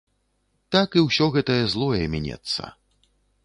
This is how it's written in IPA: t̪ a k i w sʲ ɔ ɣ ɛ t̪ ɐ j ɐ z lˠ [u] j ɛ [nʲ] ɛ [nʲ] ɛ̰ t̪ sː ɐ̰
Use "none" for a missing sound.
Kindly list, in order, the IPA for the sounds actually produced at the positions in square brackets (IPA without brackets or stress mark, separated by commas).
ɔ, mʲ, nʲ